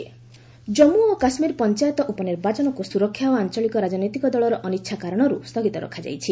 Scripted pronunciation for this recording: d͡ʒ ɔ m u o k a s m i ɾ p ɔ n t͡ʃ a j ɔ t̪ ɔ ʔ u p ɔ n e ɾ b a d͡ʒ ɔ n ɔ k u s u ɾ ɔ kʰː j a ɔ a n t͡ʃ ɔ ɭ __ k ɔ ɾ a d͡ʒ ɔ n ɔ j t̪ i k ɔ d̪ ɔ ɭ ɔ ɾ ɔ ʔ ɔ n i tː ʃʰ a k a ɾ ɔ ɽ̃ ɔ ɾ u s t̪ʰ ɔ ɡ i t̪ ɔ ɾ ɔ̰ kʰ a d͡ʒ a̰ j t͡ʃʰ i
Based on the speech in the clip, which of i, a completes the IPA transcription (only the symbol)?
i